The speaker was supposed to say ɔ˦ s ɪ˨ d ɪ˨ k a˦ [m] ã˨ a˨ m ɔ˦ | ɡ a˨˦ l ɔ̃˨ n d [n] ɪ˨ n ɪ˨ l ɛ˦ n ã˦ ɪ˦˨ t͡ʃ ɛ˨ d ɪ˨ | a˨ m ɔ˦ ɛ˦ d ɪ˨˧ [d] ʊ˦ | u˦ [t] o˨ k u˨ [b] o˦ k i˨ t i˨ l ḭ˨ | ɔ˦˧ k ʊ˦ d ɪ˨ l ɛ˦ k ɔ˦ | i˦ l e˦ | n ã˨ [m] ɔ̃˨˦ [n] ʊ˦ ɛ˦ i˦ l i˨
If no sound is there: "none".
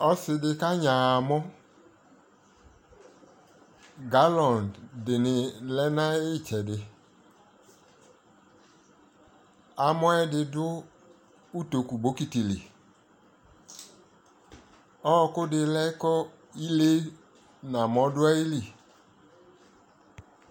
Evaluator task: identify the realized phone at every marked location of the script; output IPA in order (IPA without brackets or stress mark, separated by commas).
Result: ɲ, d, d, t, b, m, d